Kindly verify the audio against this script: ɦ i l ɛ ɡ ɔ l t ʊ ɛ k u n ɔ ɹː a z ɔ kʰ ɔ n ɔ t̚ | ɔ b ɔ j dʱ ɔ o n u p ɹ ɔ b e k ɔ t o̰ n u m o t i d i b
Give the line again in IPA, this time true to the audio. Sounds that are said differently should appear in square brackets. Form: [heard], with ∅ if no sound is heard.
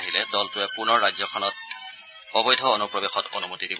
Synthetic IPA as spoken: ɦ i l ɛ [d] ɔ l t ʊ ɛ [p] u n ɔ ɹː a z ɔ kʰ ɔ n ɔ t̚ | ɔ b ɔ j dʱ ɔ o n u p ɹ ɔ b e [x] ɔ t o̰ n u m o t i d i b